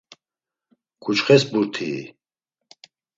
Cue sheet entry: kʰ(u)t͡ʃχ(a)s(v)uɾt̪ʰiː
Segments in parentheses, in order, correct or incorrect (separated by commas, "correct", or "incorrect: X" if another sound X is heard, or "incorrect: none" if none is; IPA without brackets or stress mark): correct, incorrect: ɛ, incorrect: b